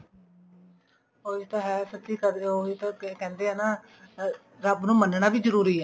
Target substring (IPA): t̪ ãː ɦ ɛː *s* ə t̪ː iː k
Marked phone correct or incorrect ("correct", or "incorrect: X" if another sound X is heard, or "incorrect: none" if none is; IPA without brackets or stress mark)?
correct